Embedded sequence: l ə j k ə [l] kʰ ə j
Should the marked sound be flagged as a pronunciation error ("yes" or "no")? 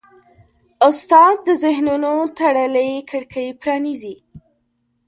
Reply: yes